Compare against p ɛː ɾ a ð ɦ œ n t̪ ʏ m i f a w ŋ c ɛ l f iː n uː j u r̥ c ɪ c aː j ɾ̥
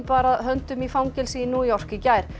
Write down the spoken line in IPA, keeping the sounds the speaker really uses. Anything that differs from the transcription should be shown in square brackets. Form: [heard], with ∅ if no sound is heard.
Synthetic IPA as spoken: p [aː] ɾ a ð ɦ œ n t̪ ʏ m i f a w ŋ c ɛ l [s] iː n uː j [ɔ] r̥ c ɪ c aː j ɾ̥